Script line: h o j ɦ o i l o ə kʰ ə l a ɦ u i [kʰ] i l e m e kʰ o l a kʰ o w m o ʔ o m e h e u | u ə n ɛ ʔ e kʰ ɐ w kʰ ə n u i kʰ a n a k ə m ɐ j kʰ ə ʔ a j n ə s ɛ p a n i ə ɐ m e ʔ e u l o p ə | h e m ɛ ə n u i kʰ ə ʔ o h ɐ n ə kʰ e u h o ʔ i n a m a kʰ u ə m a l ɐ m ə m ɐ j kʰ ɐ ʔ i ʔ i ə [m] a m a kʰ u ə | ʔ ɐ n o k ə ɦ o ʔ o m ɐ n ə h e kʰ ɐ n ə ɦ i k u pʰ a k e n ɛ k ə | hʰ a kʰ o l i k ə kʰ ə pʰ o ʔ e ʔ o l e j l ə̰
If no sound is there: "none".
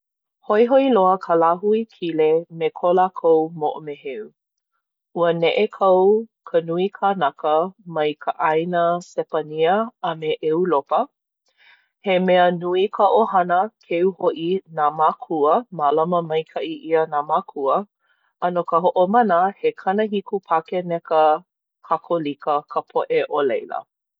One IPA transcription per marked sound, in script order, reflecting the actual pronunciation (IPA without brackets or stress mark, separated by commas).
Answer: kʰ, n